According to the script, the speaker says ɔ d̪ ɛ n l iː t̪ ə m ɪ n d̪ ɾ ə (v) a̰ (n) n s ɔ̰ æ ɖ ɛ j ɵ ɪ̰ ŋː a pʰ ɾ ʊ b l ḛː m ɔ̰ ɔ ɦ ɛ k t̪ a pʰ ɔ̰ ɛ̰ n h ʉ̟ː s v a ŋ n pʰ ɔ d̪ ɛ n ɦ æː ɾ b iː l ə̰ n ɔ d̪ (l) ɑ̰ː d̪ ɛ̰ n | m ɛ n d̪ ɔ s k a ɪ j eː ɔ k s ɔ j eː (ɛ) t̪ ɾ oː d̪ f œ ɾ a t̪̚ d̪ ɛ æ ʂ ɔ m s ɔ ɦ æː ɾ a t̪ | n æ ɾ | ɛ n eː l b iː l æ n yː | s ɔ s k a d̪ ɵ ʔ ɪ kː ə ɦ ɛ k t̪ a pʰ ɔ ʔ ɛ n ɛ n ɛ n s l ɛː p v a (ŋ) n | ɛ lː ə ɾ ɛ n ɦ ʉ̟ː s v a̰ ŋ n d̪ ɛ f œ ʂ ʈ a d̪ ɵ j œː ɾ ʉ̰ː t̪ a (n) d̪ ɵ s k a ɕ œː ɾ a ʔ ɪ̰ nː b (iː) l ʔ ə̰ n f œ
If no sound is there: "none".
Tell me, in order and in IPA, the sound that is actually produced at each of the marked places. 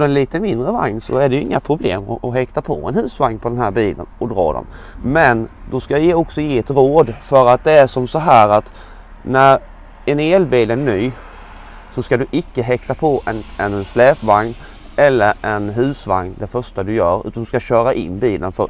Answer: v, ŋ, ɾ, ɛ, ŋ, n, iː

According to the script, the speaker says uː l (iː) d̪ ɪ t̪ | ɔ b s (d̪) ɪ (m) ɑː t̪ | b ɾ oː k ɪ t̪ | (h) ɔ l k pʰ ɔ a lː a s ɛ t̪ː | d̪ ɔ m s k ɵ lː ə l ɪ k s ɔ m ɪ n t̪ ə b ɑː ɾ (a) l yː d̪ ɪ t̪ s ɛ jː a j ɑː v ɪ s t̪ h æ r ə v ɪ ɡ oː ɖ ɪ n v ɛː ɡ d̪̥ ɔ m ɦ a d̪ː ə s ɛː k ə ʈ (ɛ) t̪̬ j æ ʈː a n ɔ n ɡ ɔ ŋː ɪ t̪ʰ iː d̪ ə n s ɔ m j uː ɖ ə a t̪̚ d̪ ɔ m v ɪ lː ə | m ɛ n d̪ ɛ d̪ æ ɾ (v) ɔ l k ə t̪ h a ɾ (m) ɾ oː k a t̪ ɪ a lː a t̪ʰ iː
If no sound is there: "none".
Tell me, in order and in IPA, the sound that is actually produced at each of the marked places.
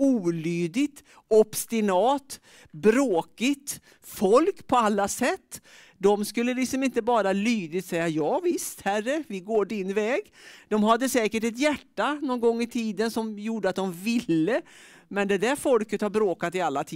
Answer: yː, t̪, n, f, a, ɛ, f, b

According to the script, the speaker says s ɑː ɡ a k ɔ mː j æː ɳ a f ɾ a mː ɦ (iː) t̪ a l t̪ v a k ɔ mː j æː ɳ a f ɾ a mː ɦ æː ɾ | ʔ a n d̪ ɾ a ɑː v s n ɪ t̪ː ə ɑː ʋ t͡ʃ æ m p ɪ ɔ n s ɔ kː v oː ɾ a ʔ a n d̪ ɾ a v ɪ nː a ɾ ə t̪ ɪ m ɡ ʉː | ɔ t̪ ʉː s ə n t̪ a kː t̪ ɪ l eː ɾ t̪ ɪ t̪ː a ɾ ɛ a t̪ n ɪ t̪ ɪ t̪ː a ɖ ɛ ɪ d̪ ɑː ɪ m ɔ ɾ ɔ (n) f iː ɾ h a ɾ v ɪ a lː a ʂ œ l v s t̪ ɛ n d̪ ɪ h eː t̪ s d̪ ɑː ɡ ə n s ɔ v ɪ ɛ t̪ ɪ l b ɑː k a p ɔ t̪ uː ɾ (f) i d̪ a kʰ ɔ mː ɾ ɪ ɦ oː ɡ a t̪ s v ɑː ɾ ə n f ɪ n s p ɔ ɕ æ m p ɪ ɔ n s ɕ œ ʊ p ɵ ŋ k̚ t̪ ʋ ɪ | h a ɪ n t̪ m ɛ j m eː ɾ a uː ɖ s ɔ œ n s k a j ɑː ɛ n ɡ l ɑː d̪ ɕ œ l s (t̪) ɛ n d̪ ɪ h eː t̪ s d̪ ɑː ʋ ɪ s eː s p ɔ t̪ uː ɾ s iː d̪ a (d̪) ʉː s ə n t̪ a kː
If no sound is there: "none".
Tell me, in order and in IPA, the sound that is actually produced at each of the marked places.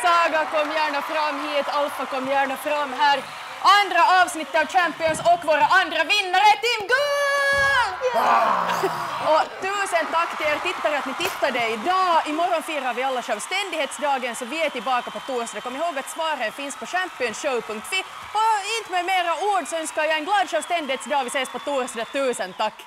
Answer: iː, n, s, t̪, t̪

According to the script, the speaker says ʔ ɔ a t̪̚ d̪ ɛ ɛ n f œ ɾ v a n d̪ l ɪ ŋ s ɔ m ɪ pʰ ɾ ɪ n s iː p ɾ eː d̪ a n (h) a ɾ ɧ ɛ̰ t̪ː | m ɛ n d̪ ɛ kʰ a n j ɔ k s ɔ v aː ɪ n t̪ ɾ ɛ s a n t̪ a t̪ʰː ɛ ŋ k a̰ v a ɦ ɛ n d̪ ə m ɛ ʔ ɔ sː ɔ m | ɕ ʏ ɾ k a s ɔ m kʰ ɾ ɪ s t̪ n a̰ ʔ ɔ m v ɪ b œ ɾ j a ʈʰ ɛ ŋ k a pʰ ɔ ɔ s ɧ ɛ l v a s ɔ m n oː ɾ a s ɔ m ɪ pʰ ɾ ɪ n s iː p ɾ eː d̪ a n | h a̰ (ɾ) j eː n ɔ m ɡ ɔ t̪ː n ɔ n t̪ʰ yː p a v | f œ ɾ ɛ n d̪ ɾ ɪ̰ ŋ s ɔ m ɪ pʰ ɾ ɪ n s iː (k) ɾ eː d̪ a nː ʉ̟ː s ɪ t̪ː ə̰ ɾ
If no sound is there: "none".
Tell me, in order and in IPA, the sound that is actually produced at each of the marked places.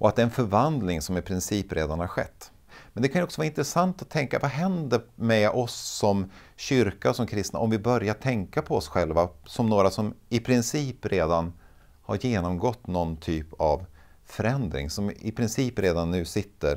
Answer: h, ɾ, p

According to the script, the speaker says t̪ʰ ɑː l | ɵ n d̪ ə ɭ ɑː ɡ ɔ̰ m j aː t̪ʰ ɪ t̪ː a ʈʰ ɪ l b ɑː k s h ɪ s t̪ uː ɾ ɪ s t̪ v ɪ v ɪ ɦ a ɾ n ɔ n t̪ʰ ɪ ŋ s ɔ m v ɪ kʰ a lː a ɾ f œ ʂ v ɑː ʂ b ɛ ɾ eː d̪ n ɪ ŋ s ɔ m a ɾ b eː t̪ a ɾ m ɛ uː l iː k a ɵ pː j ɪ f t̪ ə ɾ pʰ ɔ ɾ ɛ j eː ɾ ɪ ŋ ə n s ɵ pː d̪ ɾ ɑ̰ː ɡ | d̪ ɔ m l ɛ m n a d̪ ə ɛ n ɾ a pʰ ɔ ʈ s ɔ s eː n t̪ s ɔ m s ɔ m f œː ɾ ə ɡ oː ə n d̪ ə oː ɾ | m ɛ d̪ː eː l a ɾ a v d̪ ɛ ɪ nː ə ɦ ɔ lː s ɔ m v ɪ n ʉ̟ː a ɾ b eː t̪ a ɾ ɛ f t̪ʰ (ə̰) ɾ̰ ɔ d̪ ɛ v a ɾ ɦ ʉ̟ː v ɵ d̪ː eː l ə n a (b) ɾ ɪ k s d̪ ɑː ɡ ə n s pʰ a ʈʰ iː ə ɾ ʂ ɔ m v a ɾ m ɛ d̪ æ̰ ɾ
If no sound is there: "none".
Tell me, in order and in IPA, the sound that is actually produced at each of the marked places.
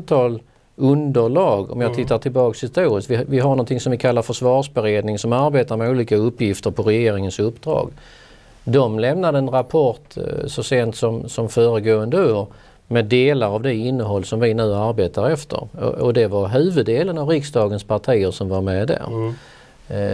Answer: ə̰, v

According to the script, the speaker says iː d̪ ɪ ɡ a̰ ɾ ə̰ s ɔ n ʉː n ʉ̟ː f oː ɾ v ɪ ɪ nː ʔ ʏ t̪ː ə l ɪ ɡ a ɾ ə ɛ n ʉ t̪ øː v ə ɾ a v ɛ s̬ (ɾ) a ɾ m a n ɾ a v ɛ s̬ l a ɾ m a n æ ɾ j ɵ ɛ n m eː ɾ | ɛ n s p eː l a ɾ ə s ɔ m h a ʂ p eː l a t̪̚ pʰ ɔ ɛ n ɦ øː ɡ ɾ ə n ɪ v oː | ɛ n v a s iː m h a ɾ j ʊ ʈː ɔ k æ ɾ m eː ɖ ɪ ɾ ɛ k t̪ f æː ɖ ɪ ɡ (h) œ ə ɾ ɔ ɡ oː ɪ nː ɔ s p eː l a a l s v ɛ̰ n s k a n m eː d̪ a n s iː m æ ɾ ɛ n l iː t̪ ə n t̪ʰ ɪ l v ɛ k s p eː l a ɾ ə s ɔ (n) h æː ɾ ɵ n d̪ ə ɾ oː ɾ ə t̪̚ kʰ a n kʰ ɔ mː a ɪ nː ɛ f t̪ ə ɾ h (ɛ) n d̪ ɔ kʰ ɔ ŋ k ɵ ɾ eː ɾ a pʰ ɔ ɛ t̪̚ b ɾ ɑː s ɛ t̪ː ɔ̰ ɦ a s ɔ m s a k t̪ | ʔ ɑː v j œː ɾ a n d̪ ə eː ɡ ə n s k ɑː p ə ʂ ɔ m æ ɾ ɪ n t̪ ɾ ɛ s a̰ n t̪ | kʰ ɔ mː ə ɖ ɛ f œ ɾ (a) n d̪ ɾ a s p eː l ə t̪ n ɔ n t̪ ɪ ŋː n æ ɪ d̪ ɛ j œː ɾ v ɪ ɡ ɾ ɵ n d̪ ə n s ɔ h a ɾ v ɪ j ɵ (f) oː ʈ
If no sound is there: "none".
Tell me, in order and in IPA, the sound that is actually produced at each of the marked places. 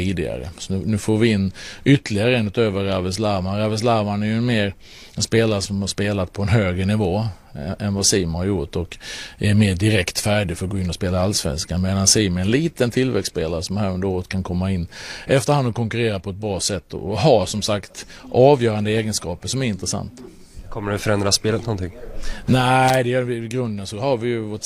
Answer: l, f, m, a, ɛ, v

